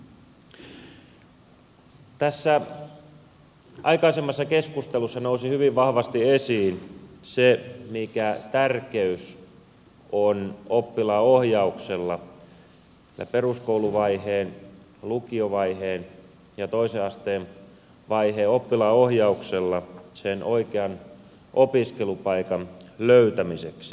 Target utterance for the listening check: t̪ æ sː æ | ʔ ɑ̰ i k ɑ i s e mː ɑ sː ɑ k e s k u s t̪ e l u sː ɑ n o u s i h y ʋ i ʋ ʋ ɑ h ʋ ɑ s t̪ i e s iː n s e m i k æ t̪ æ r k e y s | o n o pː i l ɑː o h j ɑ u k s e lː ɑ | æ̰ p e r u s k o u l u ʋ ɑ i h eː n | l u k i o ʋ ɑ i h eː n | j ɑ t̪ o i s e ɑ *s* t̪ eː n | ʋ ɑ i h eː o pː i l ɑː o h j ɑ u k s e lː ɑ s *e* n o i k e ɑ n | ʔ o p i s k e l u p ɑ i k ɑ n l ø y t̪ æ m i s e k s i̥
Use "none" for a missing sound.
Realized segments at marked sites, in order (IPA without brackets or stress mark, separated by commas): s, e